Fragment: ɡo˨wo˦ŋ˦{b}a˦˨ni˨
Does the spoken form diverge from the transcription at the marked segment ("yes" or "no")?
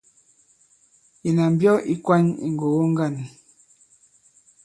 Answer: yes